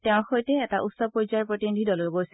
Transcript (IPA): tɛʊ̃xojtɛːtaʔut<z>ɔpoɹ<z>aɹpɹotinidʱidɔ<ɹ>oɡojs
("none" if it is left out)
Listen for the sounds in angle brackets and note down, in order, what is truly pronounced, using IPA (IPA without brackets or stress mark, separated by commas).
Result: s, z, l